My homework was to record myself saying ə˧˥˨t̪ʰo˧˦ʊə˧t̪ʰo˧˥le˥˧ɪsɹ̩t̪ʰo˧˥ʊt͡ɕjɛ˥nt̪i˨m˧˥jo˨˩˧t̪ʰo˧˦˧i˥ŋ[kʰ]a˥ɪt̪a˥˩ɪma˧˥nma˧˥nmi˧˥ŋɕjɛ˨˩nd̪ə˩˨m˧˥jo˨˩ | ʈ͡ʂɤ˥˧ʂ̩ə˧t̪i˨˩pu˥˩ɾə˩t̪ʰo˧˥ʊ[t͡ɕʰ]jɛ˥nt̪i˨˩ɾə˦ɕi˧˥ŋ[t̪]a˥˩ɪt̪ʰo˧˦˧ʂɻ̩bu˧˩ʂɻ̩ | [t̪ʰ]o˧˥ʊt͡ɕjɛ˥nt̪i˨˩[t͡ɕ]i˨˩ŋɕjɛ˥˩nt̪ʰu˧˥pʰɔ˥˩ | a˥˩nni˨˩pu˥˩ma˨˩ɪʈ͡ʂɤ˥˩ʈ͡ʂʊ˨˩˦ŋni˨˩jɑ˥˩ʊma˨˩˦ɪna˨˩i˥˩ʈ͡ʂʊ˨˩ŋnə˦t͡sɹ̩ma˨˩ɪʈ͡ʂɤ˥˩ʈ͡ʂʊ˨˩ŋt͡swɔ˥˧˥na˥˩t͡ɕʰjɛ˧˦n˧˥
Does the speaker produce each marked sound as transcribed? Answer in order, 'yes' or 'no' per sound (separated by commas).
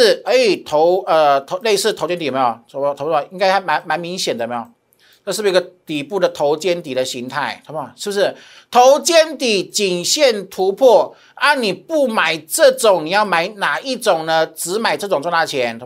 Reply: no, no, no, yes, yes